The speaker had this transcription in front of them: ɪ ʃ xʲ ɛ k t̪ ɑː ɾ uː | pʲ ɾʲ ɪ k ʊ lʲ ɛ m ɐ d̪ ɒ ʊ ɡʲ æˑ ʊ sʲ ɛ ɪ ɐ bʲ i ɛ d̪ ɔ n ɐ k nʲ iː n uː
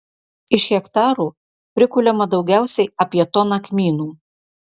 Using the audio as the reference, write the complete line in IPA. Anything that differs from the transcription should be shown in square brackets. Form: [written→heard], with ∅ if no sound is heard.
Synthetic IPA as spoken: ɪ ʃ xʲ ɛ k t̪ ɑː ɾ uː | pʲ ɾʲ ɪ k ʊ lʲ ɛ m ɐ d̪ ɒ ʊ ɡʲ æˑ ʊ sʲ ɛ ɪ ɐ [bʲ→pʲ] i ɛ [d̪→t̪] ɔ n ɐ k [nʲ→mʲ] iː n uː